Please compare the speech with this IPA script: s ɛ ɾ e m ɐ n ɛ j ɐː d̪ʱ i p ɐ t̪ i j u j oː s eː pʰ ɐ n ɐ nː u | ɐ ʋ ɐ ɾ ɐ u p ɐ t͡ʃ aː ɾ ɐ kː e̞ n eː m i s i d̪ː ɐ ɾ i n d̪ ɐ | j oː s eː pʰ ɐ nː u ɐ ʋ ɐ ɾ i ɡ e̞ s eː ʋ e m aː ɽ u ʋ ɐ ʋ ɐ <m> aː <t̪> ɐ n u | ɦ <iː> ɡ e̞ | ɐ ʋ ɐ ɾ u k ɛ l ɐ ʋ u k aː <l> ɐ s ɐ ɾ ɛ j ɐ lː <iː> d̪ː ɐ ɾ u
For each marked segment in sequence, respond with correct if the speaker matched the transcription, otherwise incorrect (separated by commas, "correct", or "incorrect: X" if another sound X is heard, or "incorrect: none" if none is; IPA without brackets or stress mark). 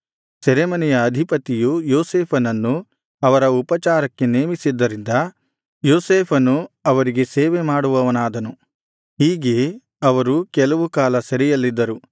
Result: incorrect: n, incorrect: d̪, correct, correct, incorrect: i